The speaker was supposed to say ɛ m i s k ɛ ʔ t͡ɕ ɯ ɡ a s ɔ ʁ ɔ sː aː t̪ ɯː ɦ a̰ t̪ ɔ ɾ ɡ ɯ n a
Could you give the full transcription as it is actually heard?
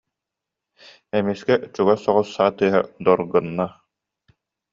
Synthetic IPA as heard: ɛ m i s k ɛ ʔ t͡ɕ u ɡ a s ɔ ʁ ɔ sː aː t̪ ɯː ɦ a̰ d̪ ɔ ɾ ɡ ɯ nː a